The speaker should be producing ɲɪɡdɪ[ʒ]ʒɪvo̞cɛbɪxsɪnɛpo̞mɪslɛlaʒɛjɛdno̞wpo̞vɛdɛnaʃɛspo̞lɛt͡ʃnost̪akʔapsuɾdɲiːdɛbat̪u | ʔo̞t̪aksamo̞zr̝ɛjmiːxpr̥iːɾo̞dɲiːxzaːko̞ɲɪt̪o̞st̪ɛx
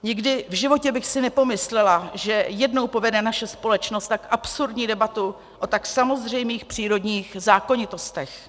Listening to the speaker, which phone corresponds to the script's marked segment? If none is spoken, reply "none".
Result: v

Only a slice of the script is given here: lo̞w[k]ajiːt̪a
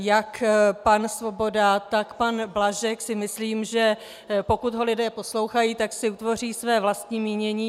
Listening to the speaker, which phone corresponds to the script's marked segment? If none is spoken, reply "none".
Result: x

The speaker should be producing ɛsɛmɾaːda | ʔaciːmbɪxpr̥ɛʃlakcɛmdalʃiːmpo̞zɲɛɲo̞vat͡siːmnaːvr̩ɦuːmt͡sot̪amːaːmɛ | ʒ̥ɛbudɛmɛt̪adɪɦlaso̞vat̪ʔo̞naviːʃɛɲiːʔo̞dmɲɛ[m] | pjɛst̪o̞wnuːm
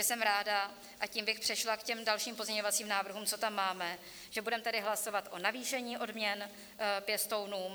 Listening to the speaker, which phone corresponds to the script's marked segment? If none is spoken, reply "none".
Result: n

